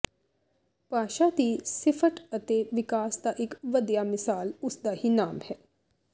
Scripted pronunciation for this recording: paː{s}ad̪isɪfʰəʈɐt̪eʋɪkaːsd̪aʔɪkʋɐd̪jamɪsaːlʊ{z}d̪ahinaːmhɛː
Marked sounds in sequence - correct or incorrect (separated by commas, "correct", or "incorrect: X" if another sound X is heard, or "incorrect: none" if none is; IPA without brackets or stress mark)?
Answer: incorrect: ʃ, incorrect: s